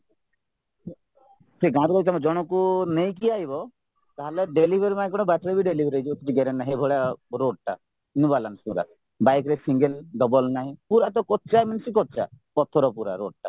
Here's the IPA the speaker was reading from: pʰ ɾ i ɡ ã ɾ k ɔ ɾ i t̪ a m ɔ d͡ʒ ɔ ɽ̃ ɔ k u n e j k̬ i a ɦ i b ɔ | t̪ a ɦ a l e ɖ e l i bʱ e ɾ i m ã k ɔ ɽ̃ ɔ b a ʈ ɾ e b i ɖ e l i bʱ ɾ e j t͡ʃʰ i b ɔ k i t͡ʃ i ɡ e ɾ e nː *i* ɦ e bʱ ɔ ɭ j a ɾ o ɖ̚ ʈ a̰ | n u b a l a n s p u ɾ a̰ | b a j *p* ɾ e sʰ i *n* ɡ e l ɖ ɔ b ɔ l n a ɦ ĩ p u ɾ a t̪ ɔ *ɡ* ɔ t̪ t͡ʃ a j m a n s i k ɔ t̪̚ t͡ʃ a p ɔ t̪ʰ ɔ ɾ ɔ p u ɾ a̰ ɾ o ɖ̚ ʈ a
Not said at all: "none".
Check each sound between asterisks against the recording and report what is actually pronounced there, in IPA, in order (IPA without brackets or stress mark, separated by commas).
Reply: a, k, ŋ, k